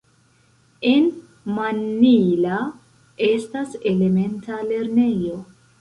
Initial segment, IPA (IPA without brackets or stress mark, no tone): e̞